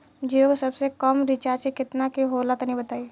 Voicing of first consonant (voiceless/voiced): voiced